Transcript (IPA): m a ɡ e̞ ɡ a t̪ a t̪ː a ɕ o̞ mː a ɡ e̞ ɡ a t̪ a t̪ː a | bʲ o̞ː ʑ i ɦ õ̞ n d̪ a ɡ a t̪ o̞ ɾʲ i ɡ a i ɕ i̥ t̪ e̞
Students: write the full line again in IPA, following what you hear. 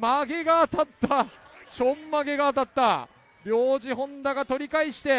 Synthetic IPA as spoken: m a ɡ e̞ ɡ a t̪ a t̪ː a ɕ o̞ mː a ɡ e̞ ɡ a t̪ a t̪ː a | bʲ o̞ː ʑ i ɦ õ̞ n d̪ a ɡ a t̪ o̞ ɾʲ i k a i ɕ i̥ t̪ e̞